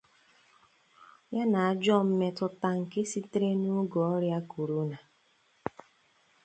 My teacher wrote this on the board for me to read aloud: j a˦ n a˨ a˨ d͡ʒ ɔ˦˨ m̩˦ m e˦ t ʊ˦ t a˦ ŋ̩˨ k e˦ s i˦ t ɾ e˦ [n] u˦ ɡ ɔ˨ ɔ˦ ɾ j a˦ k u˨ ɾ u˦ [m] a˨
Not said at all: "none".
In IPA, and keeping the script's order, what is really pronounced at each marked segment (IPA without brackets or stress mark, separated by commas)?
n, n